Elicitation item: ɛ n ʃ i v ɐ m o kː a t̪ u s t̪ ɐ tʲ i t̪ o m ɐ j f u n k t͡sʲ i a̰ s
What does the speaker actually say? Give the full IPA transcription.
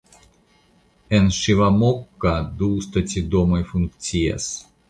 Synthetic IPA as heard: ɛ n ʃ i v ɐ m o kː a d̪ u s t̪ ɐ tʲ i d̪ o m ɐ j f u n k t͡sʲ i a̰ s